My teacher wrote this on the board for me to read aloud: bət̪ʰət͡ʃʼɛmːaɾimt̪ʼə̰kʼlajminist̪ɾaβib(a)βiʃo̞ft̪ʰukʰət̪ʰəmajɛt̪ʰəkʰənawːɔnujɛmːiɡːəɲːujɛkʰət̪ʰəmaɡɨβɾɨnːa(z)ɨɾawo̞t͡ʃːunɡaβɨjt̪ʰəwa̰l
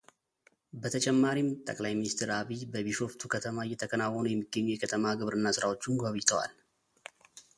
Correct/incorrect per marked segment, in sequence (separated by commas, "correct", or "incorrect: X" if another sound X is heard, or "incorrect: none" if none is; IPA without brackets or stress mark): incorrect: ə, incorrect: s